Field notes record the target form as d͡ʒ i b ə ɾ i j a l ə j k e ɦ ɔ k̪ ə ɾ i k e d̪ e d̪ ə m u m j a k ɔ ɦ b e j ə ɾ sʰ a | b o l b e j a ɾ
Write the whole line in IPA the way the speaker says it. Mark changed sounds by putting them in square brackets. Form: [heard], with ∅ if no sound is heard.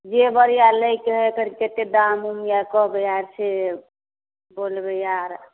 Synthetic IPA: d͡ʒ [e] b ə ɾ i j a l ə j k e ɦ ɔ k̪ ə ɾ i k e [t̪] e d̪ [a] m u m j a k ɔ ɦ b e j [a] ɾ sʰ [e] | b o l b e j a ɾ